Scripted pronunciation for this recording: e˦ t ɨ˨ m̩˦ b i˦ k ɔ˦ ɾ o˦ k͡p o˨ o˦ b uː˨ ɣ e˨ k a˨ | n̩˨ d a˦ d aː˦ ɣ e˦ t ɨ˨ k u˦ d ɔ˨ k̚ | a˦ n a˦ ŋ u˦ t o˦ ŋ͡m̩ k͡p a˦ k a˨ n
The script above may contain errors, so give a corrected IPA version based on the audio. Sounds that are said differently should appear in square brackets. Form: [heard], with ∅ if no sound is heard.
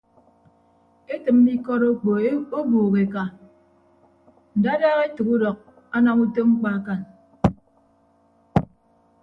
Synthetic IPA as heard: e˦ t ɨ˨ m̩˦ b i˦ k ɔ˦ ɾ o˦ k͡p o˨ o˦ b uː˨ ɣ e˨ k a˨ | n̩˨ d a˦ d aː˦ ɣ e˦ t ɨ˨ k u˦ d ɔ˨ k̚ | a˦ n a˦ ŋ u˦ t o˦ ŋ͡m̩ k͡p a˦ k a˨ n

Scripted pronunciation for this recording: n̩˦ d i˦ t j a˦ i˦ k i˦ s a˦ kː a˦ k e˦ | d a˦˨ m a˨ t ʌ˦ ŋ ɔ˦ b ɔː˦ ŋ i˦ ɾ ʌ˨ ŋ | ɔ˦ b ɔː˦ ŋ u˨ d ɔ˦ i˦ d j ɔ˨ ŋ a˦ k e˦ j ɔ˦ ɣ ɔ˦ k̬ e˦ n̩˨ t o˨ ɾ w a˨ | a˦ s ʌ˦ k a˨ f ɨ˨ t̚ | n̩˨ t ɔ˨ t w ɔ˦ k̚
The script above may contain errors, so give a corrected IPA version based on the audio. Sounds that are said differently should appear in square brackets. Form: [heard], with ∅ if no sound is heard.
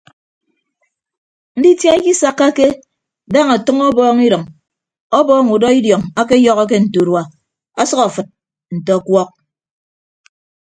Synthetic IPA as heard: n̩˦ d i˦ t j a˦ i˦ k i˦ s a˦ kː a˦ k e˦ | d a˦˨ [ŋ] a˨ t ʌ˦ ŋ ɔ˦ b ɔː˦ ŋ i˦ ɾ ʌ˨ ŋ | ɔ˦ b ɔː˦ ŋ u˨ d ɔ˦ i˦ d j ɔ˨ ŋ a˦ k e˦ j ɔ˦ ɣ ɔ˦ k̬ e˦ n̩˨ t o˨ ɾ w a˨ | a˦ s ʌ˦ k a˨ f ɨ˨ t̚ | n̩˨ t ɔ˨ [k] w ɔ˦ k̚

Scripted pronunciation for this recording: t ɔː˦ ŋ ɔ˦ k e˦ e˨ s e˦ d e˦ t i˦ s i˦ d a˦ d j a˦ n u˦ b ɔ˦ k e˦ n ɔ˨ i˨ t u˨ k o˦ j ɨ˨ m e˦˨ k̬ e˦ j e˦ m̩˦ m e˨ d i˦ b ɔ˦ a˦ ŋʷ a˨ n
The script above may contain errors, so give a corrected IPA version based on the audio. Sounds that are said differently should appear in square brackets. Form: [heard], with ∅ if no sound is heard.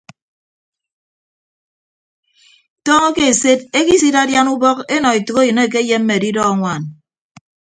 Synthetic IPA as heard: t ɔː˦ ŋ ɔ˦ k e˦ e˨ s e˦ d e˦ [k] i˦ s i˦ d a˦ d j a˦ n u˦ b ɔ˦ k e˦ n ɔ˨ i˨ t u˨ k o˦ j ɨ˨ [n] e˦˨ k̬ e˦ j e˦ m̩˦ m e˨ d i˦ [d] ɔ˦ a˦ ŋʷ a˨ n

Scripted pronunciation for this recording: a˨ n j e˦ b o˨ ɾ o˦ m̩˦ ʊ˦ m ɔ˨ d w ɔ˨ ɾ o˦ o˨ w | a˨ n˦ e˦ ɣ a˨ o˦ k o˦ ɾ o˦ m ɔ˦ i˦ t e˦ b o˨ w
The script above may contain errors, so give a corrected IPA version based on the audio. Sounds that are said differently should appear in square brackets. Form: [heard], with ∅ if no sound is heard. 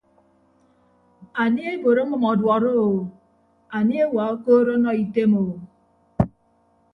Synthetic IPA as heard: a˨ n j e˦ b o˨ ɾ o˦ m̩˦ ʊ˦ m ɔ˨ d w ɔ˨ ɾ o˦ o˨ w | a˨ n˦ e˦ [w] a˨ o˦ k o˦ ɾ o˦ [n] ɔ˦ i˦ t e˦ [m] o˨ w

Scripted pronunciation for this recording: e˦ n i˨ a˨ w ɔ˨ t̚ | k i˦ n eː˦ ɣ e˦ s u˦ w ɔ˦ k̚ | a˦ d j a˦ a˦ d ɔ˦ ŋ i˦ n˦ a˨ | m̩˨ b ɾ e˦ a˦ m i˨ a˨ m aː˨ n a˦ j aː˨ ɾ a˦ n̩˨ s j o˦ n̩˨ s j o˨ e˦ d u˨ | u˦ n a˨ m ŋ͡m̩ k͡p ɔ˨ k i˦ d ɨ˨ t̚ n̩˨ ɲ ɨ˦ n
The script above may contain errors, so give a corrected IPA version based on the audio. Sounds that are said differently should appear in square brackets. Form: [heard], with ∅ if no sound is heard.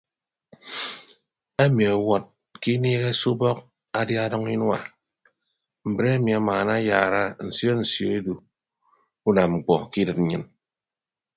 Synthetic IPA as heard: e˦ [m] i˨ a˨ w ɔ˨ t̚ | k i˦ n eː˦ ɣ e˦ s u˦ [b] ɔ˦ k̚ | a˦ d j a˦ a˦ d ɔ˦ ŋ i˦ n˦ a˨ | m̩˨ b ɾ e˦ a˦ m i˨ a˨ m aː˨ n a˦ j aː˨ ɾ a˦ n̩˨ s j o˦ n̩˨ s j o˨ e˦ d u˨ | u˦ n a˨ m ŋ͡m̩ k͡p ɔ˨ k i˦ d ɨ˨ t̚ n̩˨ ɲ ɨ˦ n

